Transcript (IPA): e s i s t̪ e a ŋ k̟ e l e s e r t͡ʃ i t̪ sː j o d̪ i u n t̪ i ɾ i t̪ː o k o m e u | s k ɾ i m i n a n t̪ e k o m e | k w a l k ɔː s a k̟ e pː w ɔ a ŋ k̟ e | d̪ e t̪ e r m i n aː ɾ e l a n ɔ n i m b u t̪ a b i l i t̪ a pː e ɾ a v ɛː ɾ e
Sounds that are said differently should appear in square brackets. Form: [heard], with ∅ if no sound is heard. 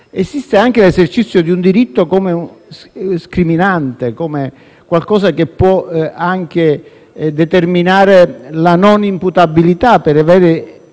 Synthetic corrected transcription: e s i s t̪ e a ŋ k̟ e l e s e r t͡ʃ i t̪ sː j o d̪ i u n [d̪] i ɾ i t̪ː o k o m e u | s k ɾ i m i n a n t̪ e k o m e | k w a l k ɔː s a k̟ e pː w ɔ a ŋ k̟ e | d̪ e t̪ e r m i n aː ɾ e l a n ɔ n i m [p] u t̪ a b i l i t̪ a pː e ɾ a v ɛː ɾ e